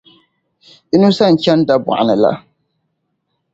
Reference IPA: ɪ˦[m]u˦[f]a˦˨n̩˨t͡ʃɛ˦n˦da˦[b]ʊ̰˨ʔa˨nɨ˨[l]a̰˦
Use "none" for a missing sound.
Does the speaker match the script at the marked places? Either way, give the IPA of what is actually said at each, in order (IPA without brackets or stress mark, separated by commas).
n, s, b, l